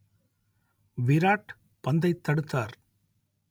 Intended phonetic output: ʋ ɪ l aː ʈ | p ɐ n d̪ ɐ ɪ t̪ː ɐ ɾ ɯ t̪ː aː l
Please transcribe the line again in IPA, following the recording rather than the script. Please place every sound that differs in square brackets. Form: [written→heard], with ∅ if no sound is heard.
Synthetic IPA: ʋ ɪ [l→ɾ] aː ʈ | p ɐ n d̪ ɐ ɪ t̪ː ɐ [ɾ→ɽ] ɯ t̪ː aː [l→ɾ]